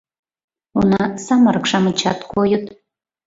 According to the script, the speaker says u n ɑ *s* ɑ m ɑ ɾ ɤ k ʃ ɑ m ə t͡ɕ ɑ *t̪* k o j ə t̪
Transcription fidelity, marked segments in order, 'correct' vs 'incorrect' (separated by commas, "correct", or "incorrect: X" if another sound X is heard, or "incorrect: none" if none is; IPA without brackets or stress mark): correct, correct